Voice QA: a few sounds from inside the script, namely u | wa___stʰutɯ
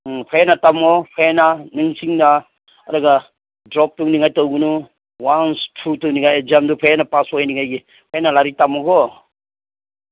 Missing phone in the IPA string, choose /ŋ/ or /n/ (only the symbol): n